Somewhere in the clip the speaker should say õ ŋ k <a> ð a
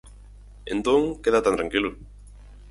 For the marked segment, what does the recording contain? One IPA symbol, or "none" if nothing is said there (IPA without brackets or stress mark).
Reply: e